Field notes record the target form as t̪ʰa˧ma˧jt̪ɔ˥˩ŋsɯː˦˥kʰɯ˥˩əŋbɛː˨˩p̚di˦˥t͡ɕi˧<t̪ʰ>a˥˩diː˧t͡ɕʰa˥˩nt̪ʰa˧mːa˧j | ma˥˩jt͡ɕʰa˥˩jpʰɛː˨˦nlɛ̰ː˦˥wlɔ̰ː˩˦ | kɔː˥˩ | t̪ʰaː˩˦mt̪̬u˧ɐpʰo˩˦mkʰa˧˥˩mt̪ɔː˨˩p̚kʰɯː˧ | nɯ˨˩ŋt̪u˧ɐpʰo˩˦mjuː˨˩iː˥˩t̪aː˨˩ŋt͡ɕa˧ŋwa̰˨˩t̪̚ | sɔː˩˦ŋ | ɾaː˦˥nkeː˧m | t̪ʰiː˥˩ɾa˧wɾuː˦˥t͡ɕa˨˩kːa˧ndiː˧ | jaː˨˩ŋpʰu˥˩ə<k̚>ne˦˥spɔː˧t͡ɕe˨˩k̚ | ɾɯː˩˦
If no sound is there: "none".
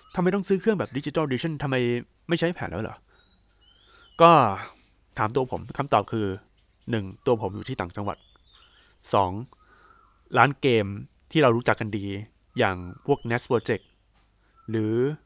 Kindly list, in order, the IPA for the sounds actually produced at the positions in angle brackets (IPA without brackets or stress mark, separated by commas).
t̪, k̚